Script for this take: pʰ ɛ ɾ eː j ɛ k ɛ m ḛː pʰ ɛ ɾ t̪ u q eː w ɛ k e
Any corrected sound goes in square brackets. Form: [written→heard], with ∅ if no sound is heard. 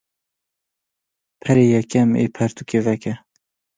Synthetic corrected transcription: pʰ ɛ ɾ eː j ɛ k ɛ m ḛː pʰ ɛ ɾ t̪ u [q→k] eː [w→v] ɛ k [e→ɛ]